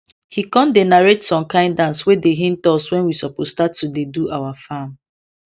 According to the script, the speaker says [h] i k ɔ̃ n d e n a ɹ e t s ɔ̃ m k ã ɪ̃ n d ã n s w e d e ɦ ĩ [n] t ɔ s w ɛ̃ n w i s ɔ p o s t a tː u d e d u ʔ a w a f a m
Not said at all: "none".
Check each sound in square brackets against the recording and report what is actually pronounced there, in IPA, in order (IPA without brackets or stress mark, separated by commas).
h, n